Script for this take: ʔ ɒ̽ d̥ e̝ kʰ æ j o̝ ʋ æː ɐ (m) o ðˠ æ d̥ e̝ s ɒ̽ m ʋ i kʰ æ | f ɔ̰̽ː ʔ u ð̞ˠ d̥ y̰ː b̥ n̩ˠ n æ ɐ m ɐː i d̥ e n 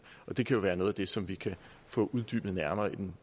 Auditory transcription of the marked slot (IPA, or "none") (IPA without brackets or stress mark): n